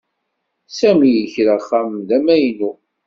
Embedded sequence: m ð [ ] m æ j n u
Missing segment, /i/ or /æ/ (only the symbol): æ